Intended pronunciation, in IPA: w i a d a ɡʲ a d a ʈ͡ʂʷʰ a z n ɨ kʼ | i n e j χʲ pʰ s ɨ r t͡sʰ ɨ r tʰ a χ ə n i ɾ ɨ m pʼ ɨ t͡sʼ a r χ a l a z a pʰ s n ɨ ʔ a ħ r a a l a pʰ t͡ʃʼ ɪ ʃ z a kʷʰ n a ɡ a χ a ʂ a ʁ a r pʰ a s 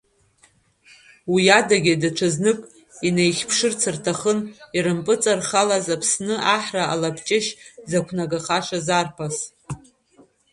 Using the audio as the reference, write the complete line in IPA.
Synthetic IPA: w i a d a ɡʲ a d a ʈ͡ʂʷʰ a z n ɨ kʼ | i n e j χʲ pʰ ʂ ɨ r t͡sʰ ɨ r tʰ a χ ə n i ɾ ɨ m pʼ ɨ t͡sʼ a r χ a l a z a pʰ s n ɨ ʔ a ħ r a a l a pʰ t͡ʃʼ ɪ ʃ z a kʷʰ n a ɡ a χ a ʂ a z a r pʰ a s